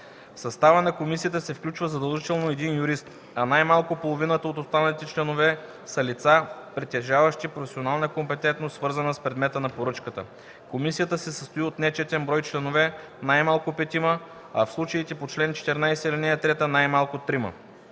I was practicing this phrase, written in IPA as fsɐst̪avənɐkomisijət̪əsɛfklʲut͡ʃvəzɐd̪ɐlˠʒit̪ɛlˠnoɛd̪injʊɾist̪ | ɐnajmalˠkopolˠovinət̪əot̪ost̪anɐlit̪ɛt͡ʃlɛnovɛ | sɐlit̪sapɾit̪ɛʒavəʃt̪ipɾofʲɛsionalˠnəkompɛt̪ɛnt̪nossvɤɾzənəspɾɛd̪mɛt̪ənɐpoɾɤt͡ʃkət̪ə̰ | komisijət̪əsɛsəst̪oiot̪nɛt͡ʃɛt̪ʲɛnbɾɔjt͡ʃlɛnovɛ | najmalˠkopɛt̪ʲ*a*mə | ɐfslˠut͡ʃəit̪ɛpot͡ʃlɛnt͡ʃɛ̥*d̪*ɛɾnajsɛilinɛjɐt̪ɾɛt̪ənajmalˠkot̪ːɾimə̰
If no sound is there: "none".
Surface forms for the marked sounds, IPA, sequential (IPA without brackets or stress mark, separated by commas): i, t̪